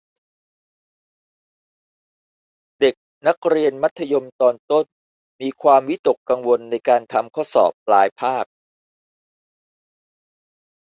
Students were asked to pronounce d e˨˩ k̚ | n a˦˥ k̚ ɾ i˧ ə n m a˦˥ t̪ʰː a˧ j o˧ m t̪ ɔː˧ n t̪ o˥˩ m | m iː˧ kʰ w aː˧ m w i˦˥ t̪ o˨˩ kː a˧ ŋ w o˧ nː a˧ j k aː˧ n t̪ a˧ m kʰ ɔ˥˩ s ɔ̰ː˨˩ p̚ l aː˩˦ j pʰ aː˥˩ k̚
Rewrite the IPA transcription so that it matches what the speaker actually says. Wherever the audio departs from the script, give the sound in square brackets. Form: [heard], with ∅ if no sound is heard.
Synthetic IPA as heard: d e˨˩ k̚ | n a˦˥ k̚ ɾ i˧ ə n m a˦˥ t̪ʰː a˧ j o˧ m t̪ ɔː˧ n t̪ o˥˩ [n] | m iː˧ kʰ w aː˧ m w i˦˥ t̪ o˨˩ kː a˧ ŋ w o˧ nː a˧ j k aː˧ n [t̪ʰ] a˧ m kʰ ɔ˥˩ s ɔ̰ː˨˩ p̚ l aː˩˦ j pʰ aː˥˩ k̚